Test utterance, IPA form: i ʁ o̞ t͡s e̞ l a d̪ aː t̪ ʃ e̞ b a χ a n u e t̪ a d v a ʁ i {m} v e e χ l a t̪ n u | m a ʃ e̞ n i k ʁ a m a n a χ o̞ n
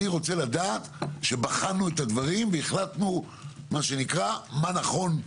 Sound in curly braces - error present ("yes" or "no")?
no